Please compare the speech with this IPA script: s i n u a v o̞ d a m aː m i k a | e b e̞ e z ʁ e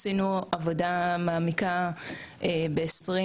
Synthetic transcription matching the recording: s i n u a v o̞ d a m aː m i k a | e b e̞ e s ʁ i